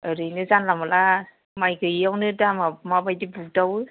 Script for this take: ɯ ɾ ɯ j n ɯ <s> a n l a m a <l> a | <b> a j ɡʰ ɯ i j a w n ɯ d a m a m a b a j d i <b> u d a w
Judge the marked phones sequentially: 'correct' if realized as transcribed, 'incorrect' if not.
incorrect: z, correct, incorrect: m, correct

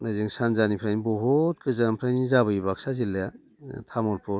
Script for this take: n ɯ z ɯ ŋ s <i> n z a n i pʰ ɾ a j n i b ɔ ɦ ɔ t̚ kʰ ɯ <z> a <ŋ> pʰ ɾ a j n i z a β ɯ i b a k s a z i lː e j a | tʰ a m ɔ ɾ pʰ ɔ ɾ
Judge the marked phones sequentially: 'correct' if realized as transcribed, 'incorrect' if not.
incorrect: a, correct, incorrect: m

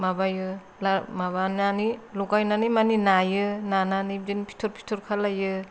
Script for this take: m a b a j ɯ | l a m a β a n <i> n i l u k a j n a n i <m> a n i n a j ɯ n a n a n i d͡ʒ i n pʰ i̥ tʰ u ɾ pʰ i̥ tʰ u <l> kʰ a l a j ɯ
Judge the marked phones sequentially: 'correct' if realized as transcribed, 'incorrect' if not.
incorrect: a, correct, incorrect: ɾ

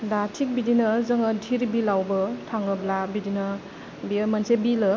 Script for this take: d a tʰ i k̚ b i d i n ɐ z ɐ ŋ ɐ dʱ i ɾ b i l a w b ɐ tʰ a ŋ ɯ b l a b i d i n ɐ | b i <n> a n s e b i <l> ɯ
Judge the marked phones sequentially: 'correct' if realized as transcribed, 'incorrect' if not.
incorrect: m, correct

